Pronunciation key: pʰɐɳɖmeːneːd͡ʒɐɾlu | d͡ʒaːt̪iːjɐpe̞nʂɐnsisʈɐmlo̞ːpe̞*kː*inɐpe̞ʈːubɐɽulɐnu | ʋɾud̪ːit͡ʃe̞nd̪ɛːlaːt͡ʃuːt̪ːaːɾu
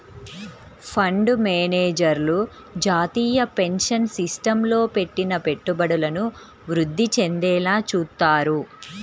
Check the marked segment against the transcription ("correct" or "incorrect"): incorrect